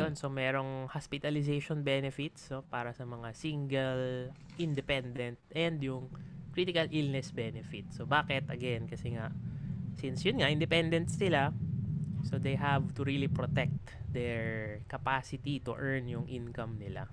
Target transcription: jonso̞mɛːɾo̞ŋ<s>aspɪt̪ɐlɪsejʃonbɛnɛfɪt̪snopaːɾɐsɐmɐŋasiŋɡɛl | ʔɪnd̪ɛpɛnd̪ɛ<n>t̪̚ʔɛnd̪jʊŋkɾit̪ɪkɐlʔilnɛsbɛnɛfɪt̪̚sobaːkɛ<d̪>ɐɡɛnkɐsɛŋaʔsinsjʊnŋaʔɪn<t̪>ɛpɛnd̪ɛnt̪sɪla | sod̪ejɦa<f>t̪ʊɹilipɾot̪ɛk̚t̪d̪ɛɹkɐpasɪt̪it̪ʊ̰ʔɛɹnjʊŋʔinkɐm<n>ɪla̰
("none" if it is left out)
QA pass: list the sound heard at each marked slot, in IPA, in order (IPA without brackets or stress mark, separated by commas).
h, n, t̪, d̪, v, n